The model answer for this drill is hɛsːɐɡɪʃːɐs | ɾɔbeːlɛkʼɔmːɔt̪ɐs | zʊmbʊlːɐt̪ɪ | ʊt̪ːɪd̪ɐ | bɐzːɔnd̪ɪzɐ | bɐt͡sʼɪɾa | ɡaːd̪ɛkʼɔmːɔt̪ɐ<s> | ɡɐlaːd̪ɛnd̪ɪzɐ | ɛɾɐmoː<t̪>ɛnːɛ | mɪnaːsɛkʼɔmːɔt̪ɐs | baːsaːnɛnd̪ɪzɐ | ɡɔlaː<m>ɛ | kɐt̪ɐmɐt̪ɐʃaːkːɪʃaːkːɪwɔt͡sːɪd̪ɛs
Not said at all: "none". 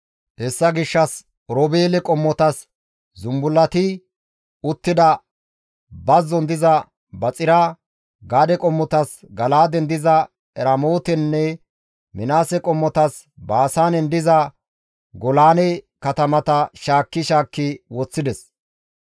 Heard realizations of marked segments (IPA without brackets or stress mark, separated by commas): s, t̪, n